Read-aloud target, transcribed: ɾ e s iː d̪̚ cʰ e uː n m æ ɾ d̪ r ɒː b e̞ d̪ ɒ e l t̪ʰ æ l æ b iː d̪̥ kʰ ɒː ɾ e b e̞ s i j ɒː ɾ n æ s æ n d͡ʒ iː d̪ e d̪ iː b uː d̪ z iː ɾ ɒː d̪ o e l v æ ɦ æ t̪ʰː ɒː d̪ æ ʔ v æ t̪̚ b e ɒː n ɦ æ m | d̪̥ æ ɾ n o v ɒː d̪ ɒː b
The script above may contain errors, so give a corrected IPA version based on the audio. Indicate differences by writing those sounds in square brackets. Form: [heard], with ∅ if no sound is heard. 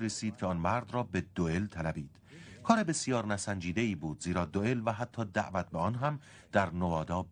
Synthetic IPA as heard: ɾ e s iː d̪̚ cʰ e [ɒː] n m æ ɾ d̪ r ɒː b e̞ d̪ [o] e l t̪ʰ æ l æ b iː d̪̥ kʰ ɒː ɾ e b e̞ s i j ɒː ɾ n æ s æ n d͡ʒ iː d̪ e [∅] iː b uː d̪ z iː ɾ ɒː d̪ o e l v æ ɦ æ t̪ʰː ɒː d̪ æ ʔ v æ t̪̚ b e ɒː n ɦ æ m | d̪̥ æ ɾ n o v ɒː d̪ ɒː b